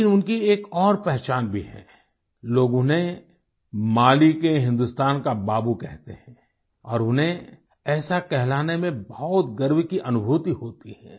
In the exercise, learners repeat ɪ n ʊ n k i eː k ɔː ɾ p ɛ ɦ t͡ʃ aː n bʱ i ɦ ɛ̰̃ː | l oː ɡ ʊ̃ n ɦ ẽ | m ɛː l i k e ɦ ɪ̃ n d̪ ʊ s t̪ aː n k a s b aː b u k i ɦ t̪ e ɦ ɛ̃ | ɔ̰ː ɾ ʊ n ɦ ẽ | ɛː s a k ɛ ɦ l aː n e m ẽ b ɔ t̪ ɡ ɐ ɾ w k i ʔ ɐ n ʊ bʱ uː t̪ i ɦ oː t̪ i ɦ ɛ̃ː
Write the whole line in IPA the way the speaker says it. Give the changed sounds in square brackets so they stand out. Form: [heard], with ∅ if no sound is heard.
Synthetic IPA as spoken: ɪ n ʊ n k i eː k ɔː ɾ p ɛ ɦ t͡ʃ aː n bʱ i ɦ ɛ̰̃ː | l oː ɡ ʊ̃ n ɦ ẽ | m [aː] l i k e ɦ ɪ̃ n d̪ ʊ s t̪ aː n k a [∅] b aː b u k [ɛ] ɦ t̪ e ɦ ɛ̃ | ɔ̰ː ɾ ʊ n ɦ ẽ | ɛː s a k ɛ ɦ l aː n e m ẽ b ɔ t̪ ɡ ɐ ɾ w k i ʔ ɐ n ʊ bʱ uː t̪ i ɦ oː t̪ i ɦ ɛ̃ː